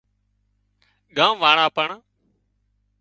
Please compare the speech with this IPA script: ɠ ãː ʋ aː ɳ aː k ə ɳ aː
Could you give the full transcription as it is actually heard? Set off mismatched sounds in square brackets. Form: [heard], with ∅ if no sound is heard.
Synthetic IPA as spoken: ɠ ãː ʋ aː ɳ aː [p] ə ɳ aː